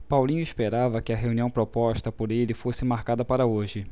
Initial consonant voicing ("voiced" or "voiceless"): voiceless